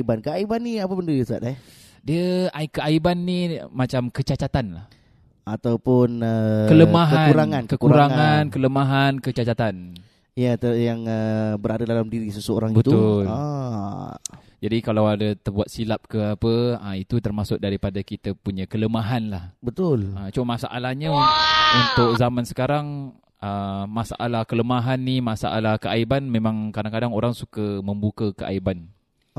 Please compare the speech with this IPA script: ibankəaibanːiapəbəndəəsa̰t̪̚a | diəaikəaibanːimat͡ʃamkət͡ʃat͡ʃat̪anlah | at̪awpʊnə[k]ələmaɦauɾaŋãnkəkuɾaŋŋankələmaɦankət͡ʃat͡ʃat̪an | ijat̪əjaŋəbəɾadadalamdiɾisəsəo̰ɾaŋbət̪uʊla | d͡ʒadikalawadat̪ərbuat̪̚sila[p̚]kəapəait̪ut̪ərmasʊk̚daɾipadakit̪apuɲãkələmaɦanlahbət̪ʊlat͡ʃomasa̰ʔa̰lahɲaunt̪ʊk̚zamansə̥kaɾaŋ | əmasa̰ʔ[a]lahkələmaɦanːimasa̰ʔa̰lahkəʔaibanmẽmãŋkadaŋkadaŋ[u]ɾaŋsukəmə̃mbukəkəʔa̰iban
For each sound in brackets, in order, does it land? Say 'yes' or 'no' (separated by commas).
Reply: yes, yes, yes, no